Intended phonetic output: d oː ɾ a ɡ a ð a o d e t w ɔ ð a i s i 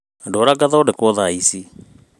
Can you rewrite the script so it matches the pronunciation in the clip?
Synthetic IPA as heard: d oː ɾ a ɡ a ð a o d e k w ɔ ð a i s i